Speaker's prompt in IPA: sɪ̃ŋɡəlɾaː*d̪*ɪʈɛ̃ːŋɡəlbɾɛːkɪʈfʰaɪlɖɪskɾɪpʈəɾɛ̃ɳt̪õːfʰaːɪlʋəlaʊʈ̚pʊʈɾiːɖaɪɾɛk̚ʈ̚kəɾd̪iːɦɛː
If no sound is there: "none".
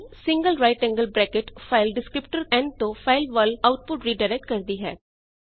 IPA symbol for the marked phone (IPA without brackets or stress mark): none